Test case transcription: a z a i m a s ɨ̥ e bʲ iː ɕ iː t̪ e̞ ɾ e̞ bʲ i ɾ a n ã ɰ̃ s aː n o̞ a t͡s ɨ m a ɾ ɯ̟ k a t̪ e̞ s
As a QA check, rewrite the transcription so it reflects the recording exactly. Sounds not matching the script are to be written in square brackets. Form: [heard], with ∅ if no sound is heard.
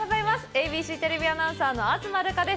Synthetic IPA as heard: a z a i m a s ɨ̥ e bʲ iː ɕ iː t̪ e̞ ɾ e̞ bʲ i [∅] a n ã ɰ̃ s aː n o̞ a t͡s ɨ m a ɾ ɯ̟ k a [d̪] e̞ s